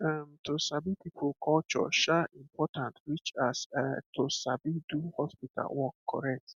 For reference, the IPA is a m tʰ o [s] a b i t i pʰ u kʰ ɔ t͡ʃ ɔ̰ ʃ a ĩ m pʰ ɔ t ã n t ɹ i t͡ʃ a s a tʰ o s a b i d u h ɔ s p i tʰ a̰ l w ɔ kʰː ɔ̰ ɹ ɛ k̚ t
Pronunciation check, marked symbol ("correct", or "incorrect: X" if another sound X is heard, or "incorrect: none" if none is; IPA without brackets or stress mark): correct